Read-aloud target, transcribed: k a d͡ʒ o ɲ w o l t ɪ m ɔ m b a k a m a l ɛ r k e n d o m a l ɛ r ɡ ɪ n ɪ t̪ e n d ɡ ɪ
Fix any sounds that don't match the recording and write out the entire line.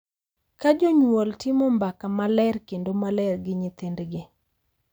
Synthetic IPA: k a d͡ʒ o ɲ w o l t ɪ m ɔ m b a k a m a l ɛ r k e n d o m a l ɛ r ɡ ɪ ɲ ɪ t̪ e n d ɡ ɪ